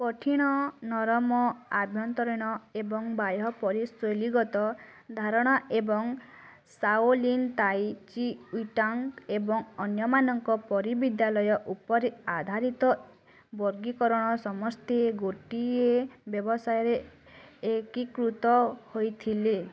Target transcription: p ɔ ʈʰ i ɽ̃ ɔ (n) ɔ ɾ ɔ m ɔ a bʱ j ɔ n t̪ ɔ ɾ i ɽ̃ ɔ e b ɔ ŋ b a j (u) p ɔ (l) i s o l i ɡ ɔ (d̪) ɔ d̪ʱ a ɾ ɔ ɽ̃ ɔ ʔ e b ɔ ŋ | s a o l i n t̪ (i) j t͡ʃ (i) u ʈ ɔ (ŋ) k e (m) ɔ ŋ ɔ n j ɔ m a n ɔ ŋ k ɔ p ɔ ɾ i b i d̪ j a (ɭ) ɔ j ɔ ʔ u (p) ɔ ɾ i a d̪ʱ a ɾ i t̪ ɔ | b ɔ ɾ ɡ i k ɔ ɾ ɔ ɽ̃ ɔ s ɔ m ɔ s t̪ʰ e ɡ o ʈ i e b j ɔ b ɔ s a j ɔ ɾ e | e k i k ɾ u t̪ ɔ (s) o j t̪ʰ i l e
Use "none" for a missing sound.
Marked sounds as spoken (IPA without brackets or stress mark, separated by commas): n, ɔ, ɾ, t̪, a, i, ŋ, b, l, p, h